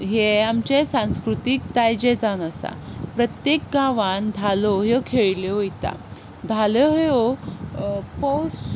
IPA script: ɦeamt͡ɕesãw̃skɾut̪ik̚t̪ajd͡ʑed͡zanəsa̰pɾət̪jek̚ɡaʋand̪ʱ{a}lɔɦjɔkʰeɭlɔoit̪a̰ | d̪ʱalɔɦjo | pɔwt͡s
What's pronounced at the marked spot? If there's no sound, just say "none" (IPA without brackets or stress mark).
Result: a